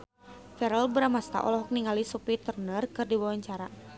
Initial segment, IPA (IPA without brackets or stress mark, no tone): f